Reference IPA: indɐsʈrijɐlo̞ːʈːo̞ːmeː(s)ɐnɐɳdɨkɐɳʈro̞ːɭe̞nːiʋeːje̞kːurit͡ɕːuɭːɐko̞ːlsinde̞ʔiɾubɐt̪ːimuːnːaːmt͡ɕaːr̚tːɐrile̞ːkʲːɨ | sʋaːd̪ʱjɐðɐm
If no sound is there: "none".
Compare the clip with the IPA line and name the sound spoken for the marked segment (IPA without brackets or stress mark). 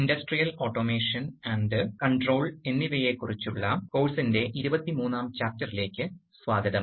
ʂ